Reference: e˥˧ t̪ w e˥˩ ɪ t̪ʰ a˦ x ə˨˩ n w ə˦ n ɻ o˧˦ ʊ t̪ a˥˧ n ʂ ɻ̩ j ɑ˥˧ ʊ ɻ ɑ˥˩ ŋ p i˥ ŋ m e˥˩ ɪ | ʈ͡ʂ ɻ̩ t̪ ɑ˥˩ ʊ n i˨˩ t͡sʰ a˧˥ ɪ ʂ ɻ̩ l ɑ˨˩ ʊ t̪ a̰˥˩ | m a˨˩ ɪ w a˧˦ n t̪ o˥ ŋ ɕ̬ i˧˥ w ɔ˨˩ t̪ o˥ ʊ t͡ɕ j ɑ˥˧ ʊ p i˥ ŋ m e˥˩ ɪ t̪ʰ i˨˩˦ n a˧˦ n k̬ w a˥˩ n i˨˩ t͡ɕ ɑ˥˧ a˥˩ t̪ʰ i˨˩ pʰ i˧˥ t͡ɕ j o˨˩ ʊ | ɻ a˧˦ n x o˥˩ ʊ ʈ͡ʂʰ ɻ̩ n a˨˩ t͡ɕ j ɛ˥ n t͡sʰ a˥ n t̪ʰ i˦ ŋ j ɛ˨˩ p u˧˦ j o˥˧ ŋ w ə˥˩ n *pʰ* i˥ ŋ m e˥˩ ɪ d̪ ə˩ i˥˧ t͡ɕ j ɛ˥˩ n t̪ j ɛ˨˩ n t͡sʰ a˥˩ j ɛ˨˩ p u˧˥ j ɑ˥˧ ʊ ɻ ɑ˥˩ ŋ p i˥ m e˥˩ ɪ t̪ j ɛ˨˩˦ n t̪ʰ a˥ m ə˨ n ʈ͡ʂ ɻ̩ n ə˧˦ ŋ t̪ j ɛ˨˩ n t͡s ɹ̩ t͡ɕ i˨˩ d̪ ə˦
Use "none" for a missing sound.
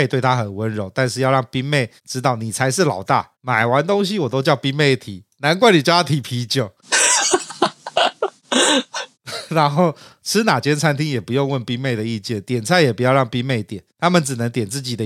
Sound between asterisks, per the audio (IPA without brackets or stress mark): p